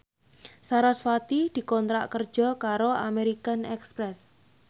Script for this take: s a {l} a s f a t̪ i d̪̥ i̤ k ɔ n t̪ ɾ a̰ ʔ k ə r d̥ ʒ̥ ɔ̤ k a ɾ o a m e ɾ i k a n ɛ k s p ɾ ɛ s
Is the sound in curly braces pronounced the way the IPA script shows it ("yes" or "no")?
no